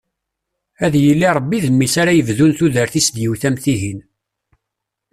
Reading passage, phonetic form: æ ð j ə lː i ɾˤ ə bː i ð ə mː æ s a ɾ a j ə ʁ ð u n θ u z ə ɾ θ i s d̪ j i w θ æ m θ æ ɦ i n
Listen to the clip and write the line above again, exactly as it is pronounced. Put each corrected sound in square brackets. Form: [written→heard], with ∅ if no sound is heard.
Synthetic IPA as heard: æ ð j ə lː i ɾˤ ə bː i ð ə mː [æ→i] s a ɾ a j ə [ʁ→v] ð u n θ u [z→ð] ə ɾ θ i s d̪ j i w θ æ m θ [æ→i] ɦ i n